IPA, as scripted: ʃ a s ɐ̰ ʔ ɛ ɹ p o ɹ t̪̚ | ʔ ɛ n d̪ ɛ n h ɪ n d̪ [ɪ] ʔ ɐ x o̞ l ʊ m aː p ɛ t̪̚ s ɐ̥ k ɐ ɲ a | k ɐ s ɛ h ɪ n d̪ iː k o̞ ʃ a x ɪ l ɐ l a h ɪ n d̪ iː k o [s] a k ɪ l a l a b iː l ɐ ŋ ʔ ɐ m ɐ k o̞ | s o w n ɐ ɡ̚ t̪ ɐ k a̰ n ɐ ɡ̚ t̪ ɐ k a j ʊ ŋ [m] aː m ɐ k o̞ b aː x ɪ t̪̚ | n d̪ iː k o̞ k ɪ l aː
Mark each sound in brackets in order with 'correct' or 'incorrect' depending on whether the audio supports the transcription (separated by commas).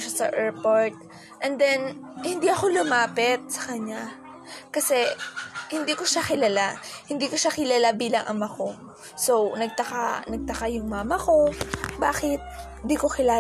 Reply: incorrect, incorrect, correct